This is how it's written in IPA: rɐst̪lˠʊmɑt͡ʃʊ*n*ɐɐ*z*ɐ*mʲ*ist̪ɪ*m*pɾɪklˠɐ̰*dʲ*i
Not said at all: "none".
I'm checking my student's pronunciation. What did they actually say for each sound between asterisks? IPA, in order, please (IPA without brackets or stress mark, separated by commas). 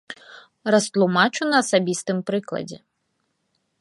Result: n, s, bʲ, m, dʲ